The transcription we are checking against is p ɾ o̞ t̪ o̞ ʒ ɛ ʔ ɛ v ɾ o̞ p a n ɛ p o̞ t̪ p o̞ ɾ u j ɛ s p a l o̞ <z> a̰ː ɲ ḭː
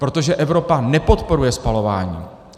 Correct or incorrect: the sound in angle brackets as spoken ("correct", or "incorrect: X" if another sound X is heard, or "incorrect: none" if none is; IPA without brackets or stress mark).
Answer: incorrect: v